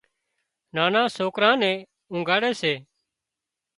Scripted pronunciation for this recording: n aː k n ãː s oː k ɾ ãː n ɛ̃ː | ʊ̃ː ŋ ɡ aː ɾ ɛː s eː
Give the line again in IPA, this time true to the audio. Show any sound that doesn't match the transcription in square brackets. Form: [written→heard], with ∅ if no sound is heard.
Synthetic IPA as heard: n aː [k→∅] n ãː s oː k ɾ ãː n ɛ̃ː | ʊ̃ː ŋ ɡ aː [ɾ→ɽ] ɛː s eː